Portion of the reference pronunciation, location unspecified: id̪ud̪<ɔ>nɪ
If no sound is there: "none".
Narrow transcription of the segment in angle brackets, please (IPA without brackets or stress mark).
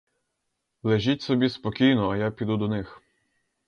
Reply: ɔ